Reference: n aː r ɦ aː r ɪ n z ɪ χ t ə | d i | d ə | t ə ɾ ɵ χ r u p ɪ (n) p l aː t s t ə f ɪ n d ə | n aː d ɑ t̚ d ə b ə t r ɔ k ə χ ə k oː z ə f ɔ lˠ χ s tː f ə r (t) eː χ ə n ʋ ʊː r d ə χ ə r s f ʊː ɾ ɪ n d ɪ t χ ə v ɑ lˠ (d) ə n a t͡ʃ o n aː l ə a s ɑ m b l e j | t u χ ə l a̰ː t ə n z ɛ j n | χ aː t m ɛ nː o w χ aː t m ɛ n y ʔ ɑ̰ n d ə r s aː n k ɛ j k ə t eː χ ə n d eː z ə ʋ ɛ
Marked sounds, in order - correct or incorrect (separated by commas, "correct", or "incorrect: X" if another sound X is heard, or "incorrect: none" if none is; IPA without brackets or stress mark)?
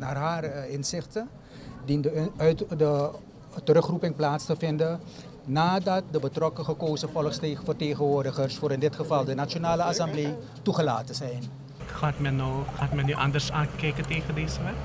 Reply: incorrect: ŋ, correct, correct